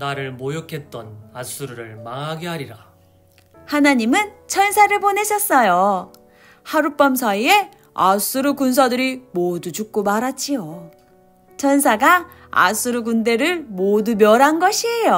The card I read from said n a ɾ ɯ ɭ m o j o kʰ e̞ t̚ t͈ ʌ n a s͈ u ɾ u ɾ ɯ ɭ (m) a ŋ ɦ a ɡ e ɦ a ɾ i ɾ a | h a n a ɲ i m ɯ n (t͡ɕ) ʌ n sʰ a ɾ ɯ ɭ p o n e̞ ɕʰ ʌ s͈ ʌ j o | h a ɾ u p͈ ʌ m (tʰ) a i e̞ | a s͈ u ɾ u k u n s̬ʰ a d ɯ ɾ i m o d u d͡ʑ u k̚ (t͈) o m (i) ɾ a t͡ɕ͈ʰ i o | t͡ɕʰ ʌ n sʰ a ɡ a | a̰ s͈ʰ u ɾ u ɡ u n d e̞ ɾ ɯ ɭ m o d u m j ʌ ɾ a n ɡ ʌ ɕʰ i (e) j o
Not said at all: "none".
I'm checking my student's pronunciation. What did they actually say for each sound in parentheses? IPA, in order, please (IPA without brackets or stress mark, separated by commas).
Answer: m, t͡ɕʰ, sʰ, k͈, a, e